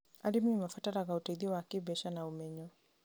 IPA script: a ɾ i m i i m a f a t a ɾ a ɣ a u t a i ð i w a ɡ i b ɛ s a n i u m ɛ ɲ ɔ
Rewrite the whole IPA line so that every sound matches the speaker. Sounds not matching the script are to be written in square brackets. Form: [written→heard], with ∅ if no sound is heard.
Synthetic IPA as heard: a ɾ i m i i m a f a t a ɾ a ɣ a u t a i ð i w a [ɡ→k] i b ɛ [s→ʃ] a n [i→a] u m ɛ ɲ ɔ

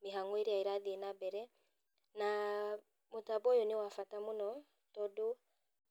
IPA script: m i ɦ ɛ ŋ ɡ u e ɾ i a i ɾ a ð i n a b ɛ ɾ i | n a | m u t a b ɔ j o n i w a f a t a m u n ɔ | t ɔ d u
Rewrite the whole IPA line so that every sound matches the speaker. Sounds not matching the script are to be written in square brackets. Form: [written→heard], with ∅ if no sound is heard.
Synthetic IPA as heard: m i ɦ [ɛ→a] ŋ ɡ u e ɾ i a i ɾ a ð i n a b ɛ ɾ [i→ɛ] | n a | m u t a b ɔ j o n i w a f a t a m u n ɔ | t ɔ d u

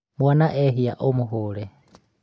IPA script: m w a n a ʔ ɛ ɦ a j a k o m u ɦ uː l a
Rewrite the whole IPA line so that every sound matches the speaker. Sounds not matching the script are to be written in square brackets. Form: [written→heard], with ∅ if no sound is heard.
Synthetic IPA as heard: m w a n a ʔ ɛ ɦ [a→i] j a [k→ʔ] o m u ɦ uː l [a→ɛ]

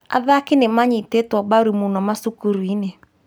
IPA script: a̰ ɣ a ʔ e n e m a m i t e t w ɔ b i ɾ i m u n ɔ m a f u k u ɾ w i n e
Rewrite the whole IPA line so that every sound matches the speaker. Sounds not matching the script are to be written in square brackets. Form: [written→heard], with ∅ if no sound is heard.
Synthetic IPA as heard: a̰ [ɣ→ð] a [ʔ→k] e n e m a [m→ɲ] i t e t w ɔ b [i→a] ɾ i m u n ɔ m a [f→s] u k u ɾ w i n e

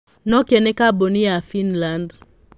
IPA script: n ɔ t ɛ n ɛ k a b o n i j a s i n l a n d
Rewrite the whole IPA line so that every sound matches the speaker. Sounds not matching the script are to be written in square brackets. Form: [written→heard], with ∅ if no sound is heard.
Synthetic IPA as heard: n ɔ [t→k] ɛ n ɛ k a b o n i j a [s→f] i n l a n d

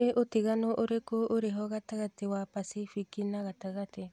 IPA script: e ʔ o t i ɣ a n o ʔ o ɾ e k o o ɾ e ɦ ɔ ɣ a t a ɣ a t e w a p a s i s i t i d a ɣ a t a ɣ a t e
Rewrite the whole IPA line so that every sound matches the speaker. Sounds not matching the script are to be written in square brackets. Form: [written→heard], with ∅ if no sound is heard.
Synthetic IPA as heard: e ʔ o t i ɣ a n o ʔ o ɾ e k o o ɾ e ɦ ɔ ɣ a t a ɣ a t e w a p a s i [s→f] i [t→k] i [d→n] a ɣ a t a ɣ a t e

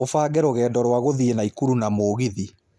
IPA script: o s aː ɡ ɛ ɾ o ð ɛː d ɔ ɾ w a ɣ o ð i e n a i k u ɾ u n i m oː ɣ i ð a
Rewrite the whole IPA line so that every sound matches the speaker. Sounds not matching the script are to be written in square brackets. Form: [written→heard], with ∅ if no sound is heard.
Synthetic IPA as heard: o [s→f] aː ɡ ɛ ɾ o [ð→ɣ] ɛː d ɔ ɾ w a ɣ o ð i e n a i k u ɾ u n [i→a] m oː ɣ i ð [a→i]

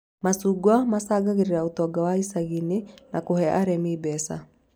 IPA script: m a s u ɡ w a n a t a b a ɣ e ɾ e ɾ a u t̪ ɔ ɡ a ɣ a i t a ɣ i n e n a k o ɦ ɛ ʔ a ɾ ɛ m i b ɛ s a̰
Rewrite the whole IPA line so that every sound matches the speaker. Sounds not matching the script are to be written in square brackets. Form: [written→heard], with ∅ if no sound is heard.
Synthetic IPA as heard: m a s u ɡ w a [n→m] a [t→s] a [b→ɡ] a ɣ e ɾ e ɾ a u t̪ ɔ ɡ a [ɣ→w] a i [t→s] a ɣ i n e n a k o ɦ ɛ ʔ a ɾ ɛ m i b ɛ s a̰

